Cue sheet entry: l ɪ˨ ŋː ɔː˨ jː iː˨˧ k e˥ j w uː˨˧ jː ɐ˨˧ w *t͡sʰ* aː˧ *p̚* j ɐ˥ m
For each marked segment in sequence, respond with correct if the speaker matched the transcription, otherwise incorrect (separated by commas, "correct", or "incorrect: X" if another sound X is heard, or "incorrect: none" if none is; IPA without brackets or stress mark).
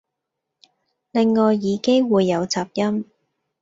incorrect: t͡s, correct